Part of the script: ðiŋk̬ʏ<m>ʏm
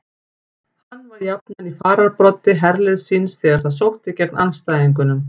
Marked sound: incorrect: n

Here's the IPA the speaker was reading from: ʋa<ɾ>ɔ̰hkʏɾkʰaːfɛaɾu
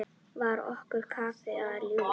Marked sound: correct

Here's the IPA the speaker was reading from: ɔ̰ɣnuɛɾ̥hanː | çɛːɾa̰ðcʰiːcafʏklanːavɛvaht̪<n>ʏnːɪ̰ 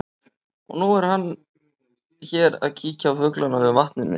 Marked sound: correct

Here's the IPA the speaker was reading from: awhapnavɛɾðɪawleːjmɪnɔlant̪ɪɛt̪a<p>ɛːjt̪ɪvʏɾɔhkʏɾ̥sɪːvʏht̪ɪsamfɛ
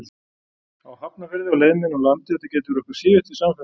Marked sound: incorrect: c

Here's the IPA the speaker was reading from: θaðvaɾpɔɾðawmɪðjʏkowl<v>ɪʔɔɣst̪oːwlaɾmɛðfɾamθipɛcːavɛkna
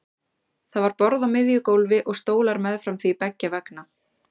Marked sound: correct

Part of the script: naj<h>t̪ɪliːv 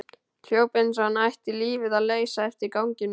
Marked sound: correct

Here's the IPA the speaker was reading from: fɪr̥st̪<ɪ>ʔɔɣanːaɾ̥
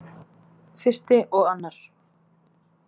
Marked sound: correct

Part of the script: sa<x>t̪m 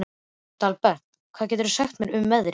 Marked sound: correct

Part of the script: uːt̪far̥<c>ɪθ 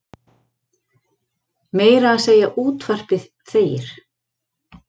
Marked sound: incorrect: p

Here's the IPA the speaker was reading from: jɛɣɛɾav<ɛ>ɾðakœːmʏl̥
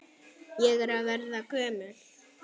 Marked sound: correct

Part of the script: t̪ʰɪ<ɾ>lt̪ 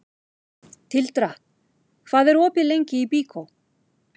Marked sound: incorrect: none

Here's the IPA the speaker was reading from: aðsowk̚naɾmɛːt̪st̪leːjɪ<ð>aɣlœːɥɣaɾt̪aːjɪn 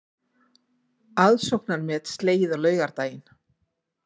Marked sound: correct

